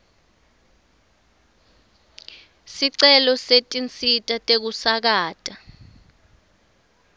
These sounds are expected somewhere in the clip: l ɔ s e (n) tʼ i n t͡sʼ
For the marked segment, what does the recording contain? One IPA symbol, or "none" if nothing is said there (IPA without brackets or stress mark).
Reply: none